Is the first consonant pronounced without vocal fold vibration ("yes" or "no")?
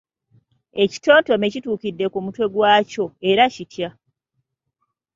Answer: yes